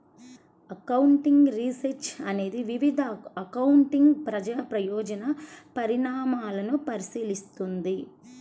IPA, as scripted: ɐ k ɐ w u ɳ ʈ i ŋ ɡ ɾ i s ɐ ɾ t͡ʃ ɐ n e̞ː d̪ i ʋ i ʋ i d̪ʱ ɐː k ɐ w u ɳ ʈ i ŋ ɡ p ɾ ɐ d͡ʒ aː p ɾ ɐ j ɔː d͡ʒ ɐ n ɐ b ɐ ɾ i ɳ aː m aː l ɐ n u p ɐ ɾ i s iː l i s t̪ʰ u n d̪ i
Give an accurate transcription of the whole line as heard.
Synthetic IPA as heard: ɐ k ɐ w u ɳ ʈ i ŋ ɡ ɾ i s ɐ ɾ t͡ʃ ɐ n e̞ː d̪ i ʋ i ʋ i d̪ʱ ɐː k ɐ w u ɳ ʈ i ŋ ɡ p ɾ ɐ d͡ʒ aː p ɾ ɐ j ɔː d͡ʒ ɐ n ɐ p ɐ ɾ i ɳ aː m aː l ɐ n u p ɐ ɾ i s iː l i s t̪ u n d̪ i